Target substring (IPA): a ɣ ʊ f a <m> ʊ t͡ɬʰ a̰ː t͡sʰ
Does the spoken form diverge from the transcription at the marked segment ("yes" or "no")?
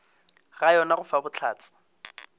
yes